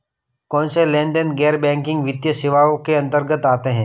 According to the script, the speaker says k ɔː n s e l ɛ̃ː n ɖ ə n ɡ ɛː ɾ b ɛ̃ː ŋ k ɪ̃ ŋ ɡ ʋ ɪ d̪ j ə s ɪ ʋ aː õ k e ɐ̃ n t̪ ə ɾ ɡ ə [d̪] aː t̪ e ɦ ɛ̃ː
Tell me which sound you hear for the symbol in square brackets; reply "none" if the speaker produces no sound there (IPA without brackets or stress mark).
t̪